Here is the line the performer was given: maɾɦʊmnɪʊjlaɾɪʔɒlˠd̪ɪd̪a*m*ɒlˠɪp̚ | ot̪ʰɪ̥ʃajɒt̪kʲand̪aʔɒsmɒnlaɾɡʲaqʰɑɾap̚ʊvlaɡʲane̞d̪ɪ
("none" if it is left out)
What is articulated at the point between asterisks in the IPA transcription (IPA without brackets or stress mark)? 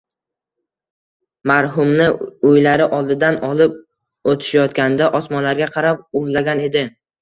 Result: n